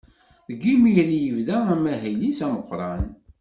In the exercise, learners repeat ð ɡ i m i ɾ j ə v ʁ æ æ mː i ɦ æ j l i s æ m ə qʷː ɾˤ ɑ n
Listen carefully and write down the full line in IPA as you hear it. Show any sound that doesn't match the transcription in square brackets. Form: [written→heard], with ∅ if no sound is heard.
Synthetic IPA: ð ɡ i m i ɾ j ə v [ʁ→ð] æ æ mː [i→æ] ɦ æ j l i s æ m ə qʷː ɾˤ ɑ n